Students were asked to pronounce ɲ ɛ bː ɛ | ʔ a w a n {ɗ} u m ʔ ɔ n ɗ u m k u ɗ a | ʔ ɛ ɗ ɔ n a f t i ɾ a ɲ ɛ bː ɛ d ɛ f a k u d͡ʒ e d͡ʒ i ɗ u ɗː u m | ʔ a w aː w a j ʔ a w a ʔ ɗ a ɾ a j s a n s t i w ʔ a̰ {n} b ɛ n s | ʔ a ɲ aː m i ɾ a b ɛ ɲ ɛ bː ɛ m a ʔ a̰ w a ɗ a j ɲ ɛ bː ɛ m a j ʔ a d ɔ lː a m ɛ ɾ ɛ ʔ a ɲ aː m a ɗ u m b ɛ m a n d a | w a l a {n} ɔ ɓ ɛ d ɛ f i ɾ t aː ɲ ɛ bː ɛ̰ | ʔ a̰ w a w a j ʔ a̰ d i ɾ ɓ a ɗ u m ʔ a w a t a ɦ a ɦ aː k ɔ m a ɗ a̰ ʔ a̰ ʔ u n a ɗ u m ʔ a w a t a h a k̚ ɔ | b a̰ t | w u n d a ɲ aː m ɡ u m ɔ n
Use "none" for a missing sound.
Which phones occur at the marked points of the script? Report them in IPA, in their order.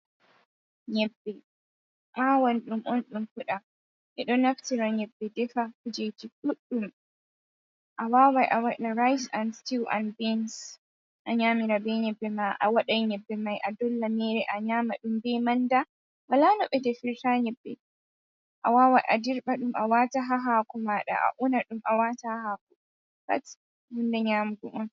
ɗ, n, n

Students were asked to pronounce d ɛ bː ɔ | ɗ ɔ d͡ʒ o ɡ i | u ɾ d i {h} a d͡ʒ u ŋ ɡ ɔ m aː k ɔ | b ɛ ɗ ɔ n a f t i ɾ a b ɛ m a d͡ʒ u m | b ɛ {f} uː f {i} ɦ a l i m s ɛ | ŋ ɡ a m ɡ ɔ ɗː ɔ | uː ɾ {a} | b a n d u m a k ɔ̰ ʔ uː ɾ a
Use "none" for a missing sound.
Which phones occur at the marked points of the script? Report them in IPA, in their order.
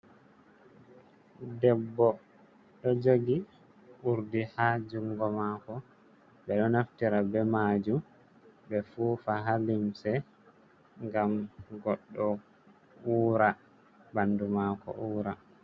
h, f, a, a

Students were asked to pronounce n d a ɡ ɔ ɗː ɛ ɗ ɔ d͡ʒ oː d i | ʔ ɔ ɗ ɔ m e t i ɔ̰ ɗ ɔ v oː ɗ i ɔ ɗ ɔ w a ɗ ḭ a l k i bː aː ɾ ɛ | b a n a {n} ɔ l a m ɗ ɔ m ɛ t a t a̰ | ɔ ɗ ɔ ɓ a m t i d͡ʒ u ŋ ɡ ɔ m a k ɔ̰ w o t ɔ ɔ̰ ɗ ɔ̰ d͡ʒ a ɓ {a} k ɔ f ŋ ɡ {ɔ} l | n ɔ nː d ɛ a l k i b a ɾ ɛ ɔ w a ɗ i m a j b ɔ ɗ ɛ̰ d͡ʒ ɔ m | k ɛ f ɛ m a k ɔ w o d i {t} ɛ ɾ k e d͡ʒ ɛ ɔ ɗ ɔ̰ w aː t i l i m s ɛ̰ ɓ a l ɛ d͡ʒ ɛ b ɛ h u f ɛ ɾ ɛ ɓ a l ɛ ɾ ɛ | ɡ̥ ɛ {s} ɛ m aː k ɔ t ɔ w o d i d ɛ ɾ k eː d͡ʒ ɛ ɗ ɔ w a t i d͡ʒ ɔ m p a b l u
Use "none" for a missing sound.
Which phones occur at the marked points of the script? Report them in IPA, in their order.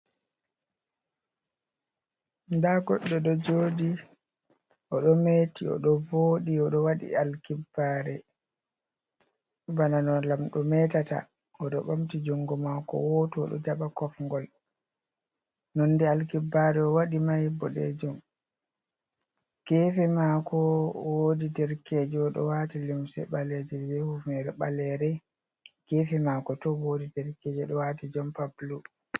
n, a, ɔ, d, f

